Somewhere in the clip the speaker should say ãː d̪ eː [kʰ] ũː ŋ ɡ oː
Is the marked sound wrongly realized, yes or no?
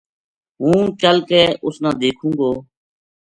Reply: no